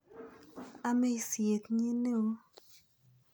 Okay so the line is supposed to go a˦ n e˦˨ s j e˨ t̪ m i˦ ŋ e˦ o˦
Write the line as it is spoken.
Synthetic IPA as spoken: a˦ m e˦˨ s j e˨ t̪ ɲ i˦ n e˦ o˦